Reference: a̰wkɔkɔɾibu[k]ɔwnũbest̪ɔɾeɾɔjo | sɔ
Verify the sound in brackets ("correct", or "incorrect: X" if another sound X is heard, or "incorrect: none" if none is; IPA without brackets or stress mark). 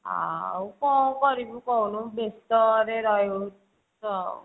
correct